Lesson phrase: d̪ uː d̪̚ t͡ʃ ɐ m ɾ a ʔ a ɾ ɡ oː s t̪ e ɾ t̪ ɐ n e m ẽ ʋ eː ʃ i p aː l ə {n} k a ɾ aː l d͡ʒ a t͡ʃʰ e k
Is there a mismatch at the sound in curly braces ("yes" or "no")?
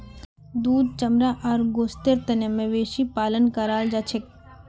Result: no